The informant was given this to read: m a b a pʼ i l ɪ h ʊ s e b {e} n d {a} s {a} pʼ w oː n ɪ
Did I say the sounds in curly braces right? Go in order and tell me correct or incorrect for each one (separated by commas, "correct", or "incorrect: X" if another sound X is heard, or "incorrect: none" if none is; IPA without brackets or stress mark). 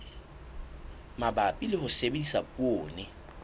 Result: correct, incorrect: i, correct